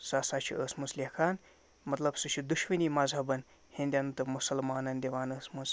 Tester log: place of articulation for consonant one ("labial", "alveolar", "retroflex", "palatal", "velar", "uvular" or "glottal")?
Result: alveolar